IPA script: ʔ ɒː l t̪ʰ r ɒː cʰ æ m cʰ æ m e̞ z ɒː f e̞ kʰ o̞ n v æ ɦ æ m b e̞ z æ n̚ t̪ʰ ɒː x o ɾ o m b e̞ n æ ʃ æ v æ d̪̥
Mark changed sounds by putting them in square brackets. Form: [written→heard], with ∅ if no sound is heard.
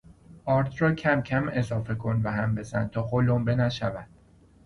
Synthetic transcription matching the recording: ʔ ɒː [l→ɾ] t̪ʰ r ɒː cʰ æ m cʰ æ m e̞ z ɒː f e̞ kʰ o̞ n v æ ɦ æ m b e̞ z æ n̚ t̪ʰ ɒː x o [ɾ→l] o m b e̞ n æ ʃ æ v æ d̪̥